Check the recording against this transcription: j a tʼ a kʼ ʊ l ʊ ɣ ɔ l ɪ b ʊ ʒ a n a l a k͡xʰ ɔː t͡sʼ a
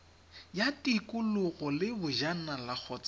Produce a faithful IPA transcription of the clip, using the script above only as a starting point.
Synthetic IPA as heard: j a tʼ i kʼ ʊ l ʊ ɣ ɔ l ɪ b ʊ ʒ a n a l a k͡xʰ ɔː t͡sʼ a